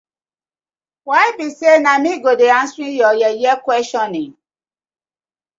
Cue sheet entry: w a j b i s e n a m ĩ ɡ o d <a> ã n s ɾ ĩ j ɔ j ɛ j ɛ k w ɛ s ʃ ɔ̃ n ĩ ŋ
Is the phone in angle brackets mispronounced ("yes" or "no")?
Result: yes